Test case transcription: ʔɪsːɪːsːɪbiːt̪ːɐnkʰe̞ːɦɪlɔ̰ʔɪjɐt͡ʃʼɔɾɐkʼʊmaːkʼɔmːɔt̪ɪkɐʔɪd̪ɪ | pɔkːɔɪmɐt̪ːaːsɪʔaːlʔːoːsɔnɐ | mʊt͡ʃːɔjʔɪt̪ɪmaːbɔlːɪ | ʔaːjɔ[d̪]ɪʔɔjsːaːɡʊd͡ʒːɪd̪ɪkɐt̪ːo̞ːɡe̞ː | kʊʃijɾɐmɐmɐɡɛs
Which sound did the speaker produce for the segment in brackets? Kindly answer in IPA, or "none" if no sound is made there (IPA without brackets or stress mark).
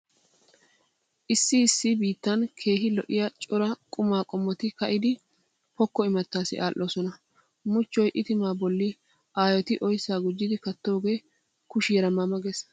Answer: t̪